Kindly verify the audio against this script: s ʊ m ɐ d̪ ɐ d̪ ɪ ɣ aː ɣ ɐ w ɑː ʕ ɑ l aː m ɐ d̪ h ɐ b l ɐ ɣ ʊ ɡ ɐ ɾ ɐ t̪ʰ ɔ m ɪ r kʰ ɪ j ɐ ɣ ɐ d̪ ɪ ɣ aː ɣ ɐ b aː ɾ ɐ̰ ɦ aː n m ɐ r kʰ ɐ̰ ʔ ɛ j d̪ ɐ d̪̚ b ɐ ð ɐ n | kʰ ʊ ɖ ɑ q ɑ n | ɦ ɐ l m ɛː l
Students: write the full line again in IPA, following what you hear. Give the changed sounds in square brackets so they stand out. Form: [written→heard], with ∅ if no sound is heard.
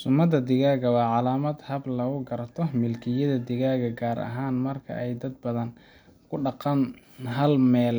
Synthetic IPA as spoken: s ʊ m ɐ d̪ ɐ d̪ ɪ ɣ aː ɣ ɐ w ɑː ʕ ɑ l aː m ɐ d̪ h ɐ b l ɐ ɣ ʊ ɡ ɐ ɾ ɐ t̪ʰ ɔ m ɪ [r→l] kʰ ɪ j ɐ [ɣ→ð] ɐ d̪ ɪ ɣ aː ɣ ɐ [b→ɡ] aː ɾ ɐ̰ ɦ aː n m ɐ r kʰ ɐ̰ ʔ ɛ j d̪ ɐ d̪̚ b ɐ ð ɐ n | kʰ ʊ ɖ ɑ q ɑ n | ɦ ɐ l m ɛː l